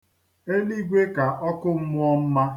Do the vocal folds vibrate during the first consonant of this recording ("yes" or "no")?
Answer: yes